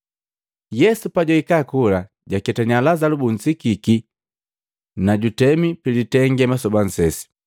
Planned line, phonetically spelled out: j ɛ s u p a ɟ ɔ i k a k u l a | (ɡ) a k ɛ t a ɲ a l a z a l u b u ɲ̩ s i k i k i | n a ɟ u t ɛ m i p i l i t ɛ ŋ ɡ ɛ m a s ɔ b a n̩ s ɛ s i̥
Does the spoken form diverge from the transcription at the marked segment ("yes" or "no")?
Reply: yes